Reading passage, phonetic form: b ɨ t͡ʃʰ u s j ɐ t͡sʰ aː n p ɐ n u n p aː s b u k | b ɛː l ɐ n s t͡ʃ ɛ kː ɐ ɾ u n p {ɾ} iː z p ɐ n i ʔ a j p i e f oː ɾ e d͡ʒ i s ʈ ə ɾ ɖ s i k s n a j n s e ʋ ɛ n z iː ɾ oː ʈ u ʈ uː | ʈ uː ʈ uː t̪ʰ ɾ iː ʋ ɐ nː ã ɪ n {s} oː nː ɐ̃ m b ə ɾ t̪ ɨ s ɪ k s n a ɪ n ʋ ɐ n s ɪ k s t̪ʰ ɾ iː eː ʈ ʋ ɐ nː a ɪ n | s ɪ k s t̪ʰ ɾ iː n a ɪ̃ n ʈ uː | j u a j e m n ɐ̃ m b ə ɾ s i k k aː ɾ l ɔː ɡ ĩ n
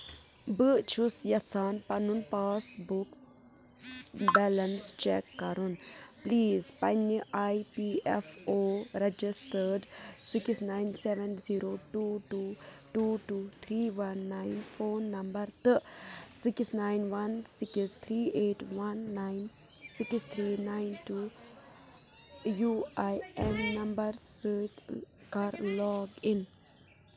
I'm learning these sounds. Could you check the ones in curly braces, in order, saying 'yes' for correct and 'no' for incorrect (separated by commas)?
no, no